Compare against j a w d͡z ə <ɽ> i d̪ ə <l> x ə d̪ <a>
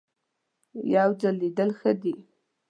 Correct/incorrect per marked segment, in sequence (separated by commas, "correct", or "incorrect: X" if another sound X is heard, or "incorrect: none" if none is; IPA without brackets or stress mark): incorrect: l, correct, incorrect: i